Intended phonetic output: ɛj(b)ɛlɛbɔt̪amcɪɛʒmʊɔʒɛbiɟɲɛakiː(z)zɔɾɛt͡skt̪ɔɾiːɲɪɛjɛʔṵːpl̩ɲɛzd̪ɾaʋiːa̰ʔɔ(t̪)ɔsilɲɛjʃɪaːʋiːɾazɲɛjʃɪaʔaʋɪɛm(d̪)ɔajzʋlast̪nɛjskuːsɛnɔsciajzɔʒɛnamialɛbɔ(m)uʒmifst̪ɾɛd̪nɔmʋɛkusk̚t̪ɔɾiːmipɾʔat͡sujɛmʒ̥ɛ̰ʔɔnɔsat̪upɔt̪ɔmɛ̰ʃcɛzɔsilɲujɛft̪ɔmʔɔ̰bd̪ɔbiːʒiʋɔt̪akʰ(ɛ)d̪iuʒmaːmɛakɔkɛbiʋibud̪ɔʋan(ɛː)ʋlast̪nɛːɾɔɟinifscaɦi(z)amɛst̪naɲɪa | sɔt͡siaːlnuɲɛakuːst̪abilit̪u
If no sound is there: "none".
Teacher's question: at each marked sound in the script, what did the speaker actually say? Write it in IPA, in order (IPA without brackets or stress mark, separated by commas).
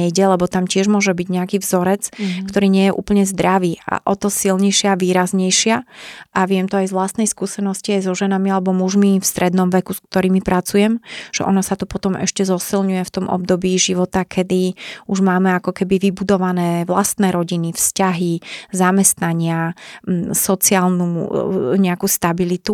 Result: ɟ, v, t̪, t̪, m, ɛ, ɛː, z